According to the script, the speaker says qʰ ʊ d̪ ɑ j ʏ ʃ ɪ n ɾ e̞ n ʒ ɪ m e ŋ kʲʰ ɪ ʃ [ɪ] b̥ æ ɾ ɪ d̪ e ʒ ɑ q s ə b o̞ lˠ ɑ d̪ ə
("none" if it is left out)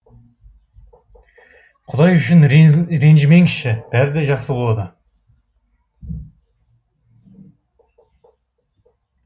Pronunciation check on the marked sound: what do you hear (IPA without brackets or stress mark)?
ɪ